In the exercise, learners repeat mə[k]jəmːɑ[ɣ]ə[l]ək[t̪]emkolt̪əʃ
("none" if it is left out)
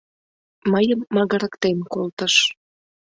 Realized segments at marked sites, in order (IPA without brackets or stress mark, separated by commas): none, ɣ, ɾ, t̪